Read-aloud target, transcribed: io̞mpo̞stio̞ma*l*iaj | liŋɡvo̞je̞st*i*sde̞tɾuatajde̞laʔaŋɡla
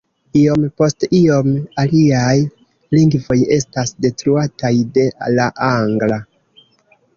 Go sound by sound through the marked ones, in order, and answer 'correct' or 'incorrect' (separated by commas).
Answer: correct, incorrect